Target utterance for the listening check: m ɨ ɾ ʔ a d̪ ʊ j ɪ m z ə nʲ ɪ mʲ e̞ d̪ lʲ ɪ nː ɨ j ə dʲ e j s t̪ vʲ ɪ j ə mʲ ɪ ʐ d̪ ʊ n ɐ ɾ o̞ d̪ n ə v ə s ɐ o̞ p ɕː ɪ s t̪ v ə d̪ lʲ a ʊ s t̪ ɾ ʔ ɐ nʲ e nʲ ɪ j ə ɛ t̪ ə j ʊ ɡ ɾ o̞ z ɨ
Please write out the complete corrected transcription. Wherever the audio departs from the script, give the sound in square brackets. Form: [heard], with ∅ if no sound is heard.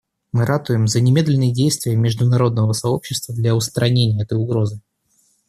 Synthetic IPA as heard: m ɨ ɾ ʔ a [t̪] ʊ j ɪ m z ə nʲ ɪ mʲ e̞ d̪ lʲ ɪ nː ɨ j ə dʲ e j s t̪ vʲ ɪ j ə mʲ ɪ ʐ d̪ ʊ n ɐ ɾ o̞ d̪ n ə v ə s ɐ o̞ p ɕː ɪ s t̪ v ə d̪ lʲ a ʊ s t̪ ɾ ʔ ɐ nʲ e nʲ ɪ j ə ɛ t̪ ə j ʊ ɡ ɾ o̞ z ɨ